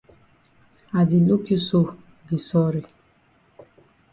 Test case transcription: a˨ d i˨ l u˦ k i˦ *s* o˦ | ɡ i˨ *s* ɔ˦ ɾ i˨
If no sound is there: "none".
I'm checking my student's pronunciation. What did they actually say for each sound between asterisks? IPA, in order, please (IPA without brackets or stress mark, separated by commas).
s, s